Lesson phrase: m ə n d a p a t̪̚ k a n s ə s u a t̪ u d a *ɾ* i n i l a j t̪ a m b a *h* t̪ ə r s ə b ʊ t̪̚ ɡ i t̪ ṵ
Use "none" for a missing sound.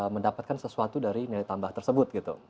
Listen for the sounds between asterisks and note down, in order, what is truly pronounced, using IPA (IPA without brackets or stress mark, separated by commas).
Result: ɾ, h